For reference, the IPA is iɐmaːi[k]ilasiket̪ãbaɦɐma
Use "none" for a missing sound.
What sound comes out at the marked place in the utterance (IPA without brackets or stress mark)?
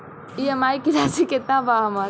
k